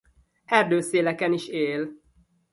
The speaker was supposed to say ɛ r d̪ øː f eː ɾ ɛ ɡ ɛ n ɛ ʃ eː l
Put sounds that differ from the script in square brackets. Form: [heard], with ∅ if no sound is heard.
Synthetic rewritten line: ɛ r d̪ øː [s] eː [l] ɛ [k] ɛ n [i] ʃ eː l